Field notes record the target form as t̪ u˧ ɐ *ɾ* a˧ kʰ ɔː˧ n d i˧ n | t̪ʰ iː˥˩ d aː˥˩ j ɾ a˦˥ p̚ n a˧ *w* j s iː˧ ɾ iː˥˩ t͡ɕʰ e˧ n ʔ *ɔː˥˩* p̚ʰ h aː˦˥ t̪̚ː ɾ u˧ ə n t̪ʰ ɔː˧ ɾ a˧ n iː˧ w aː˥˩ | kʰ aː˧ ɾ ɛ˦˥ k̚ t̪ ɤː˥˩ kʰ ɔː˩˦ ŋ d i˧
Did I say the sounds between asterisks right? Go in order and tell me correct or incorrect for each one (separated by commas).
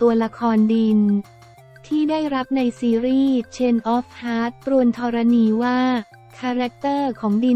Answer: incorrect, incorrect, incorrect